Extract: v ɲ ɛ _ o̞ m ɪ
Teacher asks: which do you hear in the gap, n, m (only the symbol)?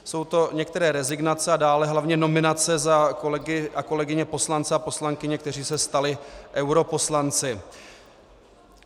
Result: n